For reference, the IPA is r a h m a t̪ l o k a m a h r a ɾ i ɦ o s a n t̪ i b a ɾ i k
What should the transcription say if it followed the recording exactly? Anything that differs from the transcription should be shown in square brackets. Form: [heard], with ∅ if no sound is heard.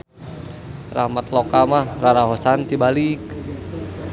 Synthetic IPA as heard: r a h m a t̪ l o k a m a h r a ɾ [a] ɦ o s a n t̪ i b a [l] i k